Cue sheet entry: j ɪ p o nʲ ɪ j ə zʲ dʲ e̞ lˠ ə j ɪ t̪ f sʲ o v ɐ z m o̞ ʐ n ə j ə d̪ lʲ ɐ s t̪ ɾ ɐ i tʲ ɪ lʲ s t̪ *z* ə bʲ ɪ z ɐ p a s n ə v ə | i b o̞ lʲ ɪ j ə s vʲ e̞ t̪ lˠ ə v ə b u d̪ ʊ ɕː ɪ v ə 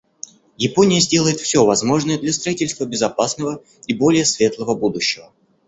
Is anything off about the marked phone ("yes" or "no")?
yes